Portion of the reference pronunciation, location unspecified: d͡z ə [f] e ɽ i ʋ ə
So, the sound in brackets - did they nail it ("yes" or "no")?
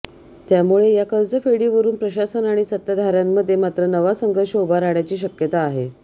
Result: yes